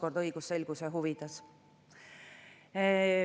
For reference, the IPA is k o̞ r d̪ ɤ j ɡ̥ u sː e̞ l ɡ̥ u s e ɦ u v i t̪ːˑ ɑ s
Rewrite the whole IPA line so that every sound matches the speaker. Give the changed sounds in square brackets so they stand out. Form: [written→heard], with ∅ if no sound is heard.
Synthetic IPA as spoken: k o̞ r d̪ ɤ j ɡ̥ u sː e̞ l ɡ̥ u s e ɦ u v i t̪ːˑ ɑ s